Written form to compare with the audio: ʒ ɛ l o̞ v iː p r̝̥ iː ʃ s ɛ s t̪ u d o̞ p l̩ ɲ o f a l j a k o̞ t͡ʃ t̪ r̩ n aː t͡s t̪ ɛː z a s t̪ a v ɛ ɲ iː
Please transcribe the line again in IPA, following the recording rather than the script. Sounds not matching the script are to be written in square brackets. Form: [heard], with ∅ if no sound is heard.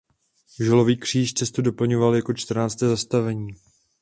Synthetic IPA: ʒ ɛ l o̞ v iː [k] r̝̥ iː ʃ [t͡s] ɛ s t̪ u d o̞ p l̩ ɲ o [v] a l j a k o̞ t͡ʃ t̪ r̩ n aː t͡s t̪ ɛː z a s t̪ a v ɛ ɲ iː